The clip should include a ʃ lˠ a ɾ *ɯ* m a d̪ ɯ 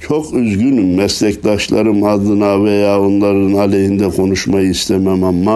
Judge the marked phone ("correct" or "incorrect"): correct